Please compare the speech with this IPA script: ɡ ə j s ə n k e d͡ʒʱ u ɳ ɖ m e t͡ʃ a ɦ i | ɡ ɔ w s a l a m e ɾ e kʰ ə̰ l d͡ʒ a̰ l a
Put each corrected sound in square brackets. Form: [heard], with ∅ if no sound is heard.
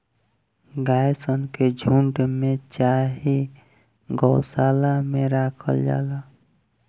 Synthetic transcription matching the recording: ɡ [a] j s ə n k e d͡ʒʱ u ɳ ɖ m e t͡ʃ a ɦ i | ɡ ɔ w s a l a m e ɾ [a] kʰ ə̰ l d͡ʒ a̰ l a